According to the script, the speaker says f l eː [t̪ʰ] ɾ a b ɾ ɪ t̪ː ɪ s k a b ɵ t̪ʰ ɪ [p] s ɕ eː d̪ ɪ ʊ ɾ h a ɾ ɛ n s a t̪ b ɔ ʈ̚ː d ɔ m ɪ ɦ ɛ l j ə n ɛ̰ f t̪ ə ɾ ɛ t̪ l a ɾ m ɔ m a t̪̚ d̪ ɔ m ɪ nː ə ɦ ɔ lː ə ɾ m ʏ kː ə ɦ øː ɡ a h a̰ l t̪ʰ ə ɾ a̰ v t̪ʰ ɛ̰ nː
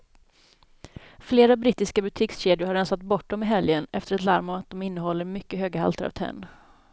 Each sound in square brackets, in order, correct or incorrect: incorrect: none, incorrect: k

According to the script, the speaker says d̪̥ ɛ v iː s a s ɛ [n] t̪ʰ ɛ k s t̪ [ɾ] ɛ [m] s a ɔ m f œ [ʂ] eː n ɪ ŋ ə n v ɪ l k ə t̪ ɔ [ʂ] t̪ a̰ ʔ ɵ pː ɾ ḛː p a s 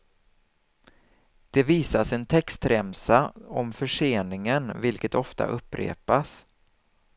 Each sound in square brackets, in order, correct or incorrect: correct, correct, correct, correct, incorrect: f

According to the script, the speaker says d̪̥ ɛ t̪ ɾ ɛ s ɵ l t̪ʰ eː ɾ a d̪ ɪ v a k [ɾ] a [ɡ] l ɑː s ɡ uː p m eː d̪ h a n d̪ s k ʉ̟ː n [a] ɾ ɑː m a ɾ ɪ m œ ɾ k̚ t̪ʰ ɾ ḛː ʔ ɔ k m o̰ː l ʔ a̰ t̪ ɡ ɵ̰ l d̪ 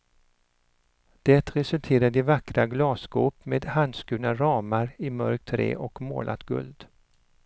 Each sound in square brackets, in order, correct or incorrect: correct, correct, correct

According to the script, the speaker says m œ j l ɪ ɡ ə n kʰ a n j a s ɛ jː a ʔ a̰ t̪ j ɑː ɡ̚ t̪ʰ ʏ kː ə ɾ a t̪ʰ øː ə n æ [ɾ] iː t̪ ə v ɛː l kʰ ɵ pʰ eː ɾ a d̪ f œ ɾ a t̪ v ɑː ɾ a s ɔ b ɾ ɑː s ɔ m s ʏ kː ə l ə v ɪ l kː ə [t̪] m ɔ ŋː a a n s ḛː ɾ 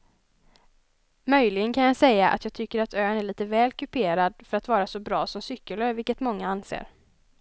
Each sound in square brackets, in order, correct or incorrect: incorrect: ɭ, correct

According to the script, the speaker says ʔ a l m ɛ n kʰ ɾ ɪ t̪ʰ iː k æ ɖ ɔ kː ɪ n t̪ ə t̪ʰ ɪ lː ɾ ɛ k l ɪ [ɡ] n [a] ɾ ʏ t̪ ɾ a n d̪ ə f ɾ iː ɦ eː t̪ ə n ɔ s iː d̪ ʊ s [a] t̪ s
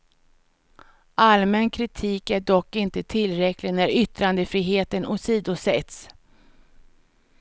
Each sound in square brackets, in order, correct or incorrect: correct, incorrect: æ, incorrect: ɛ

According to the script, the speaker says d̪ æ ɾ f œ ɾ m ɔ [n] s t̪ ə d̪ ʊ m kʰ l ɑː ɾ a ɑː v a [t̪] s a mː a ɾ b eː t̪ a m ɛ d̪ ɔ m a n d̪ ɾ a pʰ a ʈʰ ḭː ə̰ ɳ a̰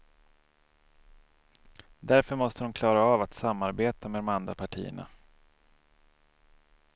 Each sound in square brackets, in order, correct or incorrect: incorrect: none, correct

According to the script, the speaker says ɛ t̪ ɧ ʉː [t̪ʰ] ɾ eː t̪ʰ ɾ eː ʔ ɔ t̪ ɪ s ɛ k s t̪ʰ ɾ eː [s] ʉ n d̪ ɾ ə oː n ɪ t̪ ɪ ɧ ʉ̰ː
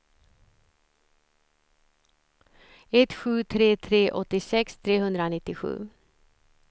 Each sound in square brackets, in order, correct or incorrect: correct, incorrect: h

